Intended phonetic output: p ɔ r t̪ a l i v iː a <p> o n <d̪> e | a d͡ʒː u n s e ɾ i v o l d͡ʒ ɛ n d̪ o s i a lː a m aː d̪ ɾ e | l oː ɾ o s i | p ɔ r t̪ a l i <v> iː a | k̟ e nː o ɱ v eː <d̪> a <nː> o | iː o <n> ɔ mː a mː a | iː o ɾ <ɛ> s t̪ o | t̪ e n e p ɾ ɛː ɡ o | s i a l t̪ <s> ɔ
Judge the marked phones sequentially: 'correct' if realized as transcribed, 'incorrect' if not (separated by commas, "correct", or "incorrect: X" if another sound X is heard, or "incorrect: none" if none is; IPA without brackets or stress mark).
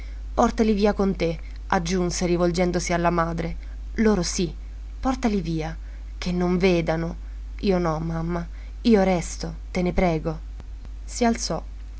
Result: incorrect: k, incorrect: t̪, correct, correct, incorrect: n, correct, correct, correct